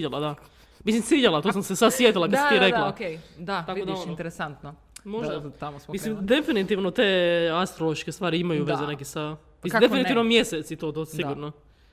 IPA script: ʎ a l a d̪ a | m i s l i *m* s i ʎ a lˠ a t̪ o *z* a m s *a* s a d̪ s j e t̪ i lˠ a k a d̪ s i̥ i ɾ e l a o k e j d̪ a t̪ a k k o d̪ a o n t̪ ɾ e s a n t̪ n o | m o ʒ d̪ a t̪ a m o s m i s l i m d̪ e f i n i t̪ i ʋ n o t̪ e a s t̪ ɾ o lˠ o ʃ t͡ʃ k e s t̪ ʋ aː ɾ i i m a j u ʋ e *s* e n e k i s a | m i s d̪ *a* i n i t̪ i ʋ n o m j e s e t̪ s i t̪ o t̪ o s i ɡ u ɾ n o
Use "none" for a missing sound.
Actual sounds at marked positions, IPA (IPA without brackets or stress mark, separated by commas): m, s, e, z, e